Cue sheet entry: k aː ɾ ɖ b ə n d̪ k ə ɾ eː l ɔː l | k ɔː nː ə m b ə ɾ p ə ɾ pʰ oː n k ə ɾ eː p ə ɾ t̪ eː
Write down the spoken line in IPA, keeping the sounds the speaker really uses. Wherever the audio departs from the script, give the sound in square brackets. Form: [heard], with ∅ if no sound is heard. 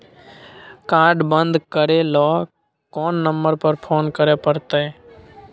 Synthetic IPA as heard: k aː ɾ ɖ b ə n d̪ k ə ɾ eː l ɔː [∅] | k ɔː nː ə m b ə ɾ p ə ɾ pʰ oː n k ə ɾ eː p ə ɾ t̪ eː